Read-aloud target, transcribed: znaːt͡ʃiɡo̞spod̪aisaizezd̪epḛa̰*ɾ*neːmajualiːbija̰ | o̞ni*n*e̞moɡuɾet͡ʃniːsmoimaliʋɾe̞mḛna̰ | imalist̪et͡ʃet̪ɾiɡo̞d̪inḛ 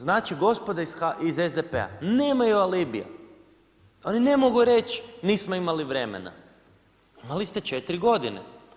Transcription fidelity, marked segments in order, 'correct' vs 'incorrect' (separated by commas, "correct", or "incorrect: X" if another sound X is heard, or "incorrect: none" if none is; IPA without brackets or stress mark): incorrect: none, correct